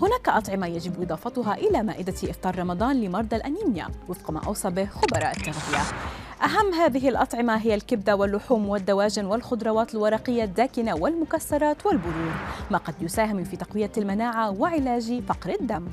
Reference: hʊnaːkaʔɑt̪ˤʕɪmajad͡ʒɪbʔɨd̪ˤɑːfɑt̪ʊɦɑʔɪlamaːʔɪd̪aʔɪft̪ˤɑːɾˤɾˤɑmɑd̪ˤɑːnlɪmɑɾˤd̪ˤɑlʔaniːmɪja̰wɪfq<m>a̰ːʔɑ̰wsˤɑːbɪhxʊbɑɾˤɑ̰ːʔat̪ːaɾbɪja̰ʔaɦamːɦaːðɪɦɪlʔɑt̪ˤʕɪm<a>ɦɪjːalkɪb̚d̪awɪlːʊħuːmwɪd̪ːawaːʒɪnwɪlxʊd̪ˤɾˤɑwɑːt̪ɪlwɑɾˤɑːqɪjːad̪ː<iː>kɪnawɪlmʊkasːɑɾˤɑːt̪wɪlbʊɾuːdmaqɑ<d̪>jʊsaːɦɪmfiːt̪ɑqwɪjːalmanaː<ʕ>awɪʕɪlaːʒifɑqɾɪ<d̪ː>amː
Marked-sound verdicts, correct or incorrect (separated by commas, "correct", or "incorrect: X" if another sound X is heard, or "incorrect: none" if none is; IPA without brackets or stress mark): correct, correct, incorrect: aː, correct, correct, correct